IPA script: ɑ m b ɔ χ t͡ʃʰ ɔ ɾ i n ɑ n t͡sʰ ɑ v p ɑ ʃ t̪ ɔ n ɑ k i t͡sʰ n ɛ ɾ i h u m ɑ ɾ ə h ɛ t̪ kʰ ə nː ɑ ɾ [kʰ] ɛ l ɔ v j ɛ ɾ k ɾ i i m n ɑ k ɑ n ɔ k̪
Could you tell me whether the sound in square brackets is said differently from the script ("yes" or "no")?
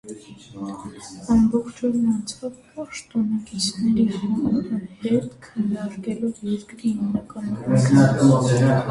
yes